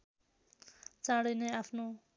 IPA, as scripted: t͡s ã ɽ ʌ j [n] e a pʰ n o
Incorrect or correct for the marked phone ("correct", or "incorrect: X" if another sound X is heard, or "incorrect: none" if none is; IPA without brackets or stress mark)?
correct